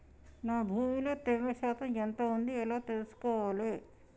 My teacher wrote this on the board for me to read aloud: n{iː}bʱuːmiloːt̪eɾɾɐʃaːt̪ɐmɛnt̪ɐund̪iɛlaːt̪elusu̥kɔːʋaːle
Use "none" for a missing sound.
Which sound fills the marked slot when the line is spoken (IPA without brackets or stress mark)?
aː